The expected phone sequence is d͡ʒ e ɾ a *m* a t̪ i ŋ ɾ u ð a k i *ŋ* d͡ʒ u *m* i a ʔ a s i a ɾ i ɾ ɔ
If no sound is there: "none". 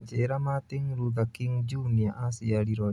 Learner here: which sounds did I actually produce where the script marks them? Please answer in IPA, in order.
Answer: m, ŋ, n

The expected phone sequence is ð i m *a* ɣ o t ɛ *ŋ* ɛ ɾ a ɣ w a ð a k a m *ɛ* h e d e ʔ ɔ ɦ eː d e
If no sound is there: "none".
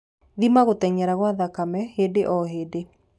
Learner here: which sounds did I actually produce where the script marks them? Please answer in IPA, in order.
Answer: a, ɲ, ɛ

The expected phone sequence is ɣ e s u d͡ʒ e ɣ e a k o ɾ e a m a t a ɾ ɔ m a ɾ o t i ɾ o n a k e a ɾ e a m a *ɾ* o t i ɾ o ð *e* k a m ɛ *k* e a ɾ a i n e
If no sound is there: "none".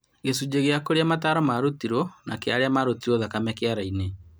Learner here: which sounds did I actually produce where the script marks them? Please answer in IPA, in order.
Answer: ɾ, a, k

